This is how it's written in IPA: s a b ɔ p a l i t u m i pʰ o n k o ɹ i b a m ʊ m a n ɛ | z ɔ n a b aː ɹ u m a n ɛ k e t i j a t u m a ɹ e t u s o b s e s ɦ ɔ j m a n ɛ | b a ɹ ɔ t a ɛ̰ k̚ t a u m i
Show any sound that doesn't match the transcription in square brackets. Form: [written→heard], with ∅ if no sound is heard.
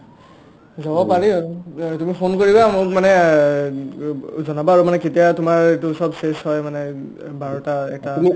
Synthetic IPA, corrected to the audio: [s→z] a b ɔ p a [l→ɹ] i t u m i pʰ o n k o ɹ i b a m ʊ m a n ɛ | z ɔ n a b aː ɹ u m a n ɛ k e t i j a t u m a ɹ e t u s [o→ɔ] b s e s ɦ ɔ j m a n ɛ | b a ɹ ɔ t a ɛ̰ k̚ t a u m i